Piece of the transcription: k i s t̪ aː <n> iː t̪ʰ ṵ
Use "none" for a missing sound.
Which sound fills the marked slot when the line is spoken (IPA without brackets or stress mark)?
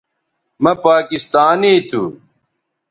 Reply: n